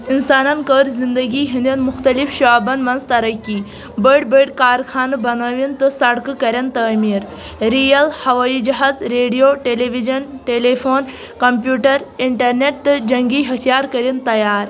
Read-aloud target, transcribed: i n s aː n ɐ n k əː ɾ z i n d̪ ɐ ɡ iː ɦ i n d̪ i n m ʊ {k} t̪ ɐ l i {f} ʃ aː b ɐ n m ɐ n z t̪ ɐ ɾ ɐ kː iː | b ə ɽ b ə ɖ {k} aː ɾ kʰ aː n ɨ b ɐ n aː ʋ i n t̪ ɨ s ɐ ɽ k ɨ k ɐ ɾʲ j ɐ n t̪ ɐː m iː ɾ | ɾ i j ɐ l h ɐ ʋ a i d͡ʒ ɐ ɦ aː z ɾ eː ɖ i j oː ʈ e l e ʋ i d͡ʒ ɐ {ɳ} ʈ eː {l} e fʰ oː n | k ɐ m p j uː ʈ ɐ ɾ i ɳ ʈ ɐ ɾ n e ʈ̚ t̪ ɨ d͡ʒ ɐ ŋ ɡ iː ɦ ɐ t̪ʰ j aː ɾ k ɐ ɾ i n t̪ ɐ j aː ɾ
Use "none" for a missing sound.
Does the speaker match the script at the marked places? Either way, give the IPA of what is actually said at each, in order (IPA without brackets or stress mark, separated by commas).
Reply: x, f, k, n, l